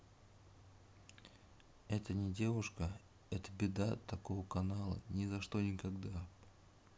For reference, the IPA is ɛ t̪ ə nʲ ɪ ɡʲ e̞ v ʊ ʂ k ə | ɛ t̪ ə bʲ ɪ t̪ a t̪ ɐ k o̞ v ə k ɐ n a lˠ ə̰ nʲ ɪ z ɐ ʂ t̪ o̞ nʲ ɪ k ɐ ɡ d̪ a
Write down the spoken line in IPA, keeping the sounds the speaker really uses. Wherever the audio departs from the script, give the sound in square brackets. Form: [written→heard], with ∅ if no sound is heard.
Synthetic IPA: ɛ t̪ ə nʲ ɪ [ɡʲ→dʲ] e̞ v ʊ ʂ k ə | ɛ t̪ ə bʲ ɪ [t̪→d̪] a t̪ ɐ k o̞ v ə k ɐ n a lˠ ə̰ nʲ ɪ z ɐ ʂ t̪ o̞ nʲ ɪ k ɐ ɡ d̪ a